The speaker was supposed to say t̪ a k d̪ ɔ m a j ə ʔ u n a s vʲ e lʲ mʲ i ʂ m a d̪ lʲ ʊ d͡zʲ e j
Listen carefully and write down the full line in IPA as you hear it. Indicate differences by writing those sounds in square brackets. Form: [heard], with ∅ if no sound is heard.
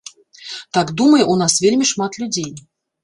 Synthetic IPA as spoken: t̪ a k d̪ [u] m [ə] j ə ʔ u n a s vʲ e lʲ mʲ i ʂ m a [t̪] lʲ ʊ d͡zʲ e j